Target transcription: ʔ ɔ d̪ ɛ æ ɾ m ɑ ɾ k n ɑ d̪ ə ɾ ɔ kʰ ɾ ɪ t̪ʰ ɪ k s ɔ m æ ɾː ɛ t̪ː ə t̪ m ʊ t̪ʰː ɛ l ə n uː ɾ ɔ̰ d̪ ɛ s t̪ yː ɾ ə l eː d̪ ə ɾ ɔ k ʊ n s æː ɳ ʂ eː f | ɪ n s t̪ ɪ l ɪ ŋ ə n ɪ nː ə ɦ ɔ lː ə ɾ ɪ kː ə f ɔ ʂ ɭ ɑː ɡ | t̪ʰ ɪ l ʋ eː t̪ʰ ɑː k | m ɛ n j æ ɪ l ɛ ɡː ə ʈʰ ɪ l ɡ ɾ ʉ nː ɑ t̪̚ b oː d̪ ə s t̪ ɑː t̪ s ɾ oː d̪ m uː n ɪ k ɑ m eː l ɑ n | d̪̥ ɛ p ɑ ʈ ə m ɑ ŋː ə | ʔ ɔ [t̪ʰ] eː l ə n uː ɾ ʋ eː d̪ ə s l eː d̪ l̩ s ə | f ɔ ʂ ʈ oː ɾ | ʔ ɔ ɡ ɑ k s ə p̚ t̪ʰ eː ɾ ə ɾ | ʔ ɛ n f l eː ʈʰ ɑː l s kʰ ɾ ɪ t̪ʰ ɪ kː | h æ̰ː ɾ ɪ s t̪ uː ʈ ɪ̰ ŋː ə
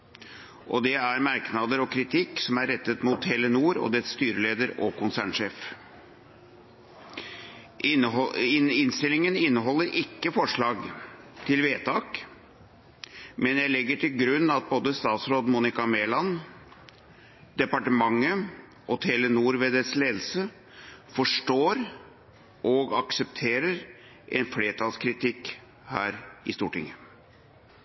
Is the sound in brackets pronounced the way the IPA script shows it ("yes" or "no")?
yes